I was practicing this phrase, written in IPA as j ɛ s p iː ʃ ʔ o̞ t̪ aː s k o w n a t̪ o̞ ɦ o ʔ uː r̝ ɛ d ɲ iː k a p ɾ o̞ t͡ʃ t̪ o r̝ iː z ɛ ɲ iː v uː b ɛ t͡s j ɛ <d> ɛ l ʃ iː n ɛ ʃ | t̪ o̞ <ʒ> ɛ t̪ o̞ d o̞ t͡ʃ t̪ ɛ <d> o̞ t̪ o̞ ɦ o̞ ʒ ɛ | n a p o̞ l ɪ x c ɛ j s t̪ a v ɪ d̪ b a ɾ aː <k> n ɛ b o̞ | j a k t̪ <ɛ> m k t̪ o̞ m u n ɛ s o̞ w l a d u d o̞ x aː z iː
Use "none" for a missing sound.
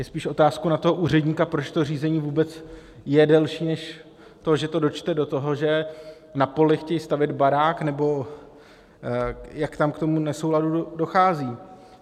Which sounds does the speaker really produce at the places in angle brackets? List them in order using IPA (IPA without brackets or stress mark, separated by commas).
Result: d, ʒ, d, k, a